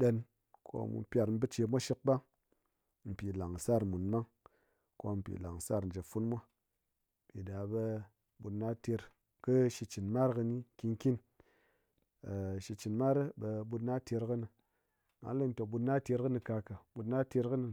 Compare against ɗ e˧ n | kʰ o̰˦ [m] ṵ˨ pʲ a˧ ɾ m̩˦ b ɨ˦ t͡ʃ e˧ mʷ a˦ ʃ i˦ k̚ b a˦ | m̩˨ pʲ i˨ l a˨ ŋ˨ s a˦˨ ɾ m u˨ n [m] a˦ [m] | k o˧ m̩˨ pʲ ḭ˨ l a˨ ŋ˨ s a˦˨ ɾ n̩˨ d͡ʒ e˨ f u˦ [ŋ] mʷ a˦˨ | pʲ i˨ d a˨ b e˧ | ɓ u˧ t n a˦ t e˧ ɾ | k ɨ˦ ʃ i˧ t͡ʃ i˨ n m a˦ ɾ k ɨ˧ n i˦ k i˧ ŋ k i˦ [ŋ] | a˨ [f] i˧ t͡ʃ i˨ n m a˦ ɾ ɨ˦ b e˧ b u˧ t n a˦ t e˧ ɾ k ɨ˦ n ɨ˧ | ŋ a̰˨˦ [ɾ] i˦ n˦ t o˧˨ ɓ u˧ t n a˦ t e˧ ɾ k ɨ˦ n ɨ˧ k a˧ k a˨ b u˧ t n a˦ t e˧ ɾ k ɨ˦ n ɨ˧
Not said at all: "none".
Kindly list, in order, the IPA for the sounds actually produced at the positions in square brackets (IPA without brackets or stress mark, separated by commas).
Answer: m, m, ŋ, n, n, ʃ, l